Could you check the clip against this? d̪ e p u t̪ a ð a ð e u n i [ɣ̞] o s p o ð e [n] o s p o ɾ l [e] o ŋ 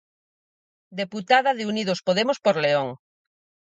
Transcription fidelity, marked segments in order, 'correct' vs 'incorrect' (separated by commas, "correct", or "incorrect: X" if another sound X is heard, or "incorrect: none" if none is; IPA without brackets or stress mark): incorrect: ð̞, incorrect: m, correct